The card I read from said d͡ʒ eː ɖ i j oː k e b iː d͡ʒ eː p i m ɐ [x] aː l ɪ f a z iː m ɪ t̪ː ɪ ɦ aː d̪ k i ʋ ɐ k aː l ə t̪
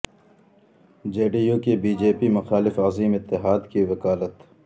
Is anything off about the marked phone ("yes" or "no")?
no